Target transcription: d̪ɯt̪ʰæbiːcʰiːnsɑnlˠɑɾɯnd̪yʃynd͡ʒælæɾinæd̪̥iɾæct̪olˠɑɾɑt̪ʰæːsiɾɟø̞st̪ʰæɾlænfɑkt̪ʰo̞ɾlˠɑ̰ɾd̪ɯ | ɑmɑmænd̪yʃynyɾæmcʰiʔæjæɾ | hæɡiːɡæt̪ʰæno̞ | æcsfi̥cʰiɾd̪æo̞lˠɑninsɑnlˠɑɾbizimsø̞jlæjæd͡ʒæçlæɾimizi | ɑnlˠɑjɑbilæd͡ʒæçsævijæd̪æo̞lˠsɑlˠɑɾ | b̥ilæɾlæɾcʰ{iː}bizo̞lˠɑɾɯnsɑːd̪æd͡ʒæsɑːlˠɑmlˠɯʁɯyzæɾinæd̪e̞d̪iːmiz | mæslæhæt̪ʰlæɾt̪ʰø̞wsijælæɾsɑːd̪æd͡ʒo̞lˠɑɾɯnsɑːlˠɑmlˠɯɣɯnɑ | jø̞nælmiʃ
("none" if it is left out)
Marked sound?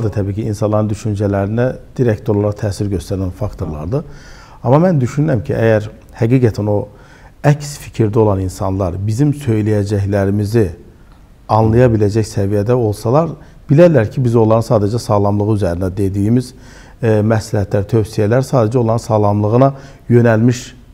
i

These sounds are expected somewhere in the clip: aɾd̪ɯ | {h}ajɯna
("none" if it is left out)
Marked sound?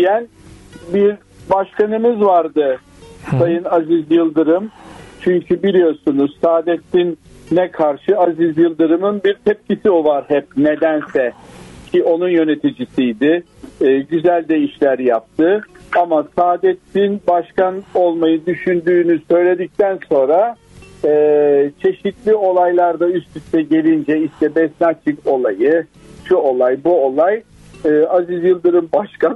s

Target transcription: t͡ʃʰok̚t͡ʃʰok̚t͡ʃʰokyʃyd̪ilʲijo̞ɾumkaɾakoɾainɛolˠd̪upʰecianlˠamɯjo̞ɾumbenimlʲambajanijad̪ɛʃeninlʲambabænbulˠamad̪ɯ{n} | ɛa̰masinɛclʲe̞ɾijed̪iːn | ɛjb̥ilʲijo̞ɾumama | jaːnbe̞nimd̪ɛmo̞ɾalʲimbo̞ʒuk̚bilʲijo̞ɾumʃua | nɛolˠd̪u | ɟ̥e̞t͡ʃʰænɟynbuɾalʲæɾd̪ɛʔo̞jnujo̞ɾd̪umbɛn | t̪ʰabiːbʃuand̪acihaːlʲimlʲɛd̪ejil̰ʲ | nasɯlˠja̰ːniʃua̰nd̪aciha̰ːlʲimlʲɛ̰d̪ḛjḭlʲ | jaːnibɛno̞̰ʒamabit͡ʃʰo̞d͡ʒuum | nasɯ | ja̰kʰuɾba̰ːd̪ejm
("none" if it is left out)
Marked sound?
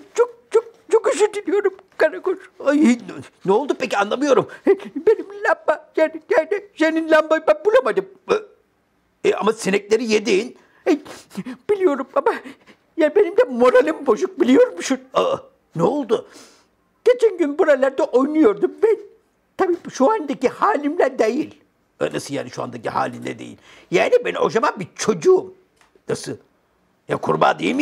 m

